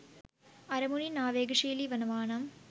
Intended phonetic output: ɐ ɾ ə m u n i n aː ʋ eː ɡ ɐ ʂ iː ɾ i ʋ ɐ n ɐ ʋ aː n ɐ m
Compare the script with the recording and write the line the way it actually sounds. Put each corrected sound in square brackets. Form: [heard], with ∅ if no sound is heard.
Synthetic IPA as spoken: ɐ ɾ [ɐ] m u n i n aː ʋ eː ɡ ɐ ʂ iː [l] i ʋ ɐ n ɐ ʋ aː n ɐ m